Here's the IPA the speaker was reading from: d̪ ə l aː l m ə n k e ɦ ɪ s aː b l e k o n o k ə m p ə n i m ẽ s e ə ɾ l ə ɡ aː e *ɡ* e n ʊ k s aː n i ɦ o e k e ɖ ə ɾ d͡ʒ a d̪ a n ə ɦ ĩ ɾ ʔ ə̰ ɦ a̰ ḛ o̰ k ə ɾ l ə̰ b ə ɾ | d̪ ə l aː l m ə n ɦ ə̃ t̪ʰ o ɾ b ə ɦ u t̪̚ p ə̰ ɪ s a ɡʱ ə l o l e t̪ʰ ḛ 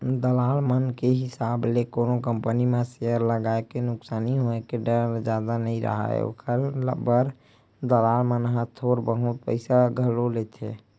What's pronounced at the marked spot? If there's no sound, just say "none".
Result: k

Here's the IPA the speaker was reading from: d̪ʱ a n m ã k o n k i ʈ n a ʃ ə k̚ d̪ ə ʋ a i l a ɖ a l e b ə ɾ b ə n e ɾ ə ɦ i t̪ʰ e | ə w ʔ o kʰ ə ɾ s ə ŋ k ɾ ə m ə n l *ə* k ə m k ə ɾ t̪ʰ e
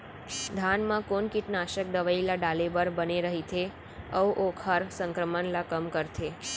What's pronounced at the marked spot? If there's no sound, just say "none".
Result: a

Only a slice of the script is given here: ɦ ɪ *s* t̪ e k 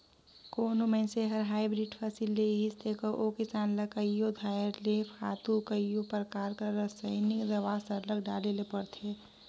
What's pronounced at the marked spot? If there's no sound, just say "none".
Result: s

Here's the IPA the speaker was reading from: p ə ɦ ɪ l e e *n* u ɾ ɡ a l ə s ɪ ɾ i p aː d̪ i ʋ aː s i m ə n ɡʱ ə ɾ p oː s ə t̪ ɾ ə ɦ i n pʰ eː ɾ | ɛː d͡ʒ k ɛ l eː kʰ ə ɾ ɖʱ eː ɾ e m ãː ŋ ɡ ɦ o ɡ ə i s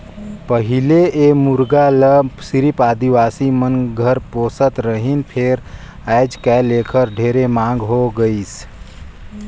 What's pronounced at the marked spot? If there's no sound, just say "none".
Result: m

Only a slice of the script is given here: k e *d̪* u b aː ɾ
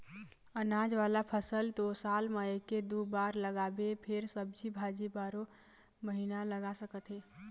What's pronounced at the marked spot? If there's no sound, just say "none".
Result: d̪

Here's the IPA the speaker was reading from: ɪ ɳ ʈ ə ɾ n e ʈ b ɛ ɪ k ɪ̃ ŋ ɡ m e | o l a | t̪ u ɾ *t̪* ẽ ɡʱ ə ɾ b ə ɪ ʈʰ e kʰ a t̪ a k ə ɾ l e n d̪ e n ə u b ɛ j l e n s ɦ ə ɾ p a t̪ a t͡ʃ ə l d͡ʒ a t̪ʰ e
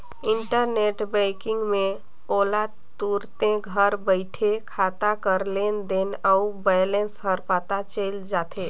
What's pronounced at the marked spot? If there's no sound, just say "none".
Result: t̪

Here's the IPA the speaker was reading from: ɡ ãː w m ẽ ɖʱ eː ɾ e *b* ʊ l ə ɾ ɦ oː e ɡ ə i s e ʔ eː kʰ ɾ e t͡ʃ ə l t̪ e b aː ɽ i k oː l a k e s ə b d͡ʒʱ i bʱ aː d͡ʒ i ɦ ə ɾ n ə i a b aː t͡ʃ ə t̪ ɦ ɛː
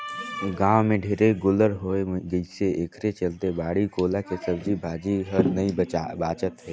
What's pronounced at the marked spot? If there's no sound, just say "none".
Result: ɡ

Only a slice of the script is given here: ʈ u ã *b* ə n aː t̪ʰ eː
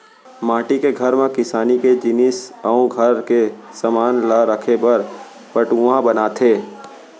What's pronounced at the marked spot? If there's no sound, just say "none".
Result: b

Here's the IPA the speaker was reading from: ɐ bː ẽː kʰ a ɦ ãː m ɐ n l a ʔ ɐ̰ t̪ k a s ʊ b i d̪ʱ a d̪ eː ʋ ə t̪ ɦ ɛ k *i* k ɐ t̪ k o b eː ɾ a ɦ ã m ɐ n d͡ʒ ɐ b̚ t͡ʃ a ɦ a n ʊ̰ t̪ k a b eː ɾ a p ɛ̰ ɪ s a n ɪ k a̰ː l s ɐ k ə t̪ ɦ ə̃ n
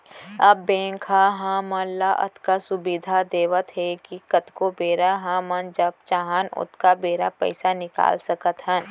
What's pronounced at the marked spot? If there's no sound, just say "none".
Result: i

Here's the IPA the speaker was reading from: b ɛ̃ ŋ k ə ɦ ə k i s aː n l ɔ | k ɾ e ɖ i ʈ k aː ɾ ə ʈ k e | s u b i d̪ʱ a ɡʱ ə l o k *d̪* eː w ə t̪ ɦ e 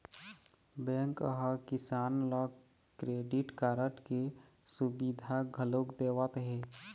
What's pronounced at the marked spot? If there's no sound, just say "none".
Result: d̪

